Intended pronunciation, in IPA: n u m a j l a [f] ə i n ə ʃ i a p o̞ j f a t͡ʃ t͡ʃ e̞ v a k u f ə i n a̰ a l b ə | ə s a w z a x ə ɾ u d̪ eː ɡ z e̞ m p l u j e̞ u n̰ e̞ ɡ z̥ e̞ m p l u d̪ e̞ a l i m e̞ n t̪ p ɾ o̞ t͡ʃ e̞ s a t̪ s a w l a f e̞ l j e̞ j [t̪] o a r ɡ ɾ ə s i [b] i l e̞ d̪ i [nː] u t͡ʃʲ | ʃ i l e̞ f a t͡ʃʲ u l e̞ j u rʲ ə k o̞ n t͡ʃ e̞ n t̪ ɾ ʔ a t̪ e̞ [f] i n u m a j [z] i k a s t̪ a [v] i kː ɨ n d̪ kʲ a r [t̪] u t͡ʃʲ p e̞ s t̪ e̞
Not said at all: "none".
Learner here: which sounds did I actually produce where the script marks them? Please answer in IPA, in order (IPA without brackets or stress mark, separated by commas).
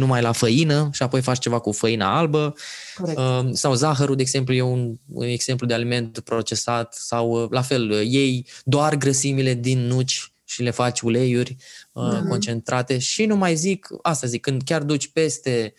f, d̪, m, nː, ʃ, z, z, d̪